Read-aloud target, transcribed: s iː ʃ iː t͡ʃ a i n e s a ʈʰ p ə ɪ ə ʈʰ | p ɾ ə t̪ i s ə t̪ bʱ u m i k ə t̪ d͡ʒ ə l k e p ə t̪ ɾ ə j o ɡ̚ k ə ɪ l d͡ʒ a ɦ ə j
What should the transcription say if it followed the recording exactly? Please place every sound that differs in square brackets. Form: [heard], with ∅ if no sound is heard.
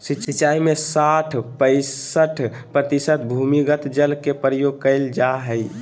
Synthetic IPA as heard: s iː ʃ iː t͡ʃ a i [m] e s a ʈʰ p ə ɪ ə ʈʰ | p ɾ ə t̪ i s ə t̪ bʱ u m i [ɡ] ə t̪ d͡ʒ ə l k e p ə [∅] ɾ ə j o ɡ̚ k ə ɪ l d͡ʒ a ɦ ə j